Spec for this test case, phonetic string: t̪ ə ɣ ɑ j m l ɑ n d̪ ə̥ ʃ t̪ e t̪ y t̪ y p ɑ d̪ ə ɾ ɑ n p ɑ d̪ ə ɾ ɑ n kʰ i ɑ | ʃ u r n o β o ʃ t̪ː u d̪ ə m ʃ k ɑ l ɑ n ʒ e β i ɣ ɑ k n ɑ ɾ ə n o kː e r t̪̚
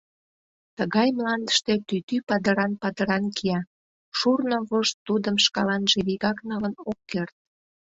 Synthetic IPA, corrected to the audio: t̪ ə ɣ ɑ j m l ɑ n d̪ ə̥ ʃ t̪ e t̪ y t̪ y p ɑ d̪ ə ɾ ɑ n p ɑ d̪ ə ɾ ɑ n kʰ i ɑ | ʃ u r n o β o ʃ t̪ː u d̪ ə m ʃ k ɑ l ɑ n ʒ e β i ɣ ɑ k n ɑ l ə n o kː e r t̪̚